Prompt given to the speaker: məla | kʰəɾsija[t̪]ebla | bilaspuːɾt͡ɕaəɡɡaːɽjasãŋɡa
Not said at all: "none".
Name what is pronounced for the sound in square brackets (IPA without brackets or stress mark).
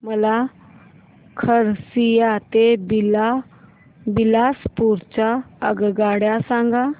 t̪